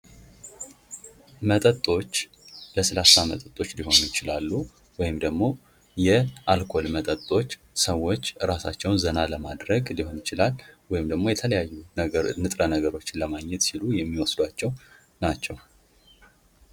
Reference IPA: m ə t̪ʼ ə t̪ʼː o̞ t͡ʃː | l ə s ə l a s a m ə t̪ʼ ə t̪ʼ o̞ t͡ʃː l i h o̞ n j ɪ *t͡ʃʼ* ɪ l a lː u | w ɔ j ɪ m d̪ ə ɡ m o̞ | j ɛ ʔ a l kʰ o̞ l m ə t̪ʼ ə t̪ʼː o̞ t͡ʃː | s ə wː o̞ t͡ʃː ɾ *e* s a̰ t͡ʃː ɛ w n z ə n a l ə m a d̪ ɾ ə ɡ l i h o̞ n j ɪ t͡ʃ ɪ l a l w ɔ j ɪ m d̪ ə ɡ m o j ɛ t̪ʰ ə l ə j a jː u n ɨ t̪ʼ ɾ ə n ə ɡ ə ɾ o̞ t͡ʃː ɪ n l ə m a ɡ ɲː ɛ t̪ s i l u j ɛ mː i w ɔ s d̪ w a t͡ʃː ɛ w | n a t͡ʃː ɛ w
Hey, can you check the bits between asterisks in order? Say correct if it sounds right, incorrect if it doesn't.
incorrect, incorrect

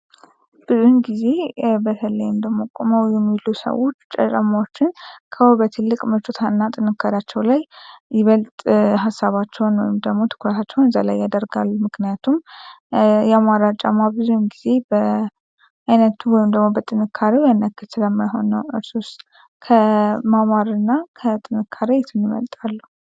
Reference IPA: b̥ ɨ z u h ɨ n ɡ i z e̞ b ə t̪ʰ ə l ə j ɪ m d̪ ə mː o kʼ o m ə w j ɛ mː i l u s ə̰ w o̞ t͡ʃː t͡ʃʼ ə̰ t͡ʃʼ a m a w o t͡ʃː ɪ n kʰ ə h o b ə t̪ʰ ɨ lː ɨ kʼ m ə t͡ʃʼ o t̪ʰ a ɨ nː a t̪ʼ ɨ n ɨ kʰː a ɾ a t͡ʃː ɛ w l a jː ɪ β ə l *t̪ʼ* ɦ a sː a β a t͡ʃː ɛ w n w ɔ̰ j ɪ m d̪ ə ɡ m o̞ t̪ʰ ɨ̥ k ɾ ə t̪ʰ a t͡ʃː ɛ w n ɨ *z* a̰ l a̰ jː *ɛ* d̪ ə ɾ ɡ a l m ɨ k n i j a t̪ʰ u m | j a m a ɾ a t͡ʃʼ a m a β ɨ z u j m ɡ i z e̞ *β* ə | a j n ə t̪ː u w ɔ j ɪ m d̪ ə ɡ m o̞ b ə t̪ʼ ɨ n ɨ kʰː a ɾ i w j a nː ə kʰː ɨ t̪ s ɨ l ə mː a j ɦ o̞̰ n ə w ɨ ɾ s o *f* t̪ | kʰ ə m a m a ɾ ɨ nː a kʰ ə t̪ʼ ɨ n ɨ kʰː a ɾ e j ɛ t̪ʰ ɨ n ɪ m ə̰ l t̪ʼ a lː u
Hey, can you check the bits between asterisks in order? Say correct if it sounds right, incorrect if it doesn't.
correct, correct, incorrect, incorrect, incorrect

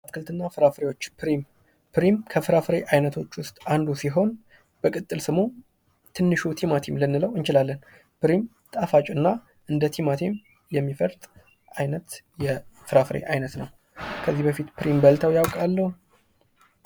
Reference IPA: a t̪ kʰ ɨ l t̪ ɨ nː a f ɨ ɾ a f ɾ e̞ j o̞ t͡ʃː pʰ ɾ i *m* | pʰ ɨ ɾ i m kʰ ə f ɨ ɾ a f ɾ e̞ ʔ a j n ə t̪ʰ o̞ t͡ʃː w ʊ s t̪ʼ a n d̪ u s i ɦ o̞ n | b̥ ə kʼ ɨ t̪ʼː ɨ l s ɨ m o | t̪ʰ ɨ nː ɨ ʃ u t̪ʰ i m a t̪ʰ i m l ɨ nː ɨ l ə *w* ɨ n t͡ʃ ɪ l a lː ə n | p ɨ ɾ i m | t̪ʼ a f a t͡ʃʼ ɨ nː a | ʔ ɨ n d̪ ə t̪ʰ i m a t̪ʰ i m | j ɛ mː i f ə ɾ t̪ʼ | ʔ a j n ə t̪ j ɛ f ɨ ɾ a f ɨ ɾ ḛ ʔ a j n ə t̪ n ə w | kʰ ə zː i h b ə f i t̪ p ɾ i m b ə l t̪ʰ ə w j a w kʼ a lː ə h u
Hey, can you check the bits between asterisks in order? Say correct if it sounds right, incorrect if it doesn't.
correct, correct

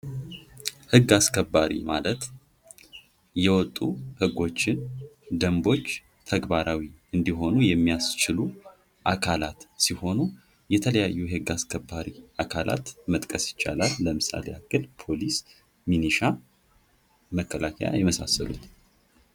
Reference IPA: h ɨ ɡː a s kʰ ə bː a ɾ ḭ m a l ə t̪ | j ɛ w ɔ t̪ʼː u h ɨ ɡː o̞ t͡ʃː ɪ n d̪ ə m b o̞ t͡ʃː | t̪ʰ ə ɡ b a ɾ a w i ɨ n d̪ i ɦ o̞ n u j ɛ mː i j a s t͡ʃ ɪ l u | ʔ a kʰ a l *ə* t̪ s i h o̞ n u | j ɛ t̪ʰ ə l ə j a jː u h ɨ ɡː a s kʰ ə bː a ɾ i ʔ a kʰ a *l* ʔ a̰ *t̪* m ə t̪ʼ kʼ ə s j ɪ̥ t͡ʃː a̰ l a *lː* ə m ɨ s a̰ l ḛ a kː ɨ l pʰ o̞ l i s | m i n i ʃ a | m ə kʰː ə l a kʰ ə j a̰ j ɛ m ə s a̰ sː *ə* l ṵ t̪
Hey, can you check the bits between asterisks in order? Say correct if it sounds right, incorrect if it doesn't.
incorrect, correct, correct, correct, correct

